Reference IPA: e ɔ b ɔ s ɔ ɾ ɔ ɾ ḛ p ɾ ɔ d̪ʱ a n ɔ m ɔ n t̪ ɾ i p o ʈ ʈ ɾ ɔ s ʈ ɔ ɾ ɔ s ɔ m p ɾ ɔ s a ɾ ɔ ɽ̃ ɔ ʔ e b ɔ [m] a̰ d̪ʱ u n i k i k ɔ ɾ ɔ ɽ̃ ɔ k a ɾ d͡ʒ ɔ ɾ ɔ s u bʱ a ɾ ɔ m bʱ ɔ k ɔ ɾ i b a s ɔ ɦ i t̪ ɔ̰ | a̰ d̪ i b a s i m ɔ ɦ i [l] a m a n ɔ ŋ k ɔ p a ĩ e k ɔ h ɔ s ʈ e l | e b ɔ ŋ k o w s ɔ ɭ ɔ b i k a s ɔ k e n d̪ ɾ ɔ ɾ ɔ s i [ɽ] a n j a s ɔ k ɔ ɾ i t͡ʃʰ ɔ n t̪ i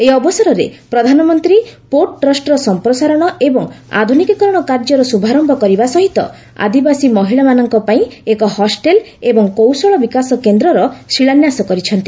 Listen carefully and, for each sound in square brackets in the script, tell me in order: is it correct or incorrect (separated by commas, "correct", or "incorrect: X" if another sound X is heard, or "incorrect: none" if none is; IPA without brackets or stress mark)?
incorrect: ŋ, incorrect: ɭ, incorrect: ɭ